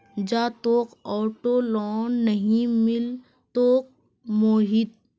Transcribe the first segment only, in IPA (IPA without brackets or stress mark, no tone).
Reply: d͡ʒ